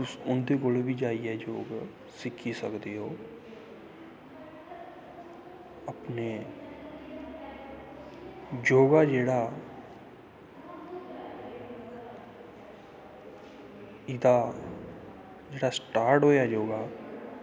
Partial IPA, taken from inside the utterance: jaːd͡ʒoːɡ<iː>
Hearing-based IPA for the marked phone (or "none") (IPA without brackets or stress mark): aː